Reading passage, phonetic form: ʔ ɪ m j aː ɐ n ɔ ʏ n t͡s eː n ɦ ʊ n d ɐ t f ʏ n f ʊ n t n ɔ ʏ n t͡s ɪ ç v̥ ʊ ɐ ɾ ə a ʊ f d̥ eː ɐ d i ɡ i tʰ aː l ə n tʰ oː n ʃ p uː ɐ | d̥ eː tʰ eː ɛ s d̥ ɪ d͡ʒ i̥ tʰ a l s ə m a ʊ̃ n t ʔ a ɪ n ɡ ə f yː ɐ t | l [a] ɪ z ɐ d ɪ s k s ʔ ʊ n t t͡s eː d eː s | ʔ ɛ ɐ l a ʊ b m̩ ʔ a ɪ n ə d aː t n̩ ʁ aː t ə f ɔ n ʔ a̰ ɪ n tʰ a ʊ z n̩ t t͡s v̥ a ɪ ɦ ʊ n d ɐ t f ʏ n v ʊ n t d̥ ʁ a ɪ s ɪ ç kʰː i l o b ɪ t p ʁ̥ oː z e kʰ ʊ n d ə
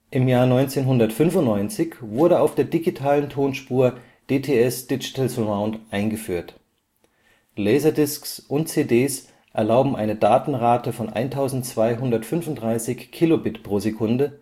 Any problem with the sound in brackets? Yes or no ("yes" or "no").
yes